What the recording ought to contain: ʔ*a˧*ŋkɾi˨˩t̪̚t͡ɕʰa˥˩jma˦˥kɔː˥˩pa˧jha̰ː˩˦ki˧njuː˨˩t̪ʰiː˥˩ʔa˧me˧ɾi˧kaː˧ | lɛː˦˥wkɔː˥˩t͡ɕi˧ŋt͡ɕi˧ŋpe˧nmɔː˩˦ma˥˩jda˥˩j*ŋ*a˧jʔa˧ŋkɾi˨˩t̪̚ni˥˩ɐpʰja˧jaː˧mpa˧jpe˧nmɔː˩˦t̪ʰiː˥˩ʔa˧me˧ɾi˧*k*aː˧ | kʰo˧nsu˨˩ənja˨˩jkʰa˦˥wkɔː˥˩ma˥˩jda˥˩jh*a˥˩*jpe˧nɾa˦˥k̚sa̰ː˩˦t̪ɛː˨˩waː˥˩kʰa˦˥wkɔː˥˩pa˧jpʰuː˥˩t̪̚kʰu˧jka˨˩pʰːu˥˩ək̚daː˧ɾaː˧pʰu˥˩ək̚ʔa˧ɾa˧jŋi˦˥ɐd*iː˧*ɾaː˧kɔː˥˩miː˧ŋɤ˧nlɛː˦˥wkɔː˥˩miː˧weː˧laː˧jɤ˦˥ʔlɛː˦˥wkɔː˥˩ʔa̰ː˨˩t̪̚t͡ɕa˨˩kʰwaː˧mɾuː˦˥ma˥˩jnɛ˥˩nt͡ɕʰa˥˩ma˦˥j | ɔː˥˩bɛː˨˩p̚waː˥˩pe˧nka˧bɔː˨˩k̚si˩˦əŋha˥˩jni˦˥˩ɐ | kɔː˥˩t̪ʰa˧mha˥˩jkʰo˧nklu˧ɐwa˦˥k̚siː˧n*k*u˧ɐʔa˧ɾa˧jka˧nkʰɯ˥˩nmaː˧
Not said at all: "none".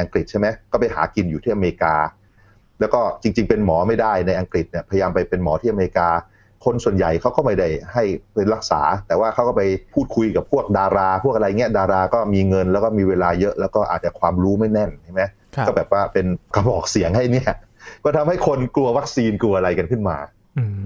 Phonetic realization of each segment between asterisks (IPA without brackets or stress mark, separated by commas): a˧, n, k, a˥˩, aː˧, k